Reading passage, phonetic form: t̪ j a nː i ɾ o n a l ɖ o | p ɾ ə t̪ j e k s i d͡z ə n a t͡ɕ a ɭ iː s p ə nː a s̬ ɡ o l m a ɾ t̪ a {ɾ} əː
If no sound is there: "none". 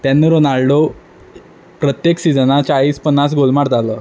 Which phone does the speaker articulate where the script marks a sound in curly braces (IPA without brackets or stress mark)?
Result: l